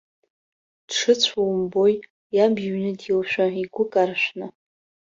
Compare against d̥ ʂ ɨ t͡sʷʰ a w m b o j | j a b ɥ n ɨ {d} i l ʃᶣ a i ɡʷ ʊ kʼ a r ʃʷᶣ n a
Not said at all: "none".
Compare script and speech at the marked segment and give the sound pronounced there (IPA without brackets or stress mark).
d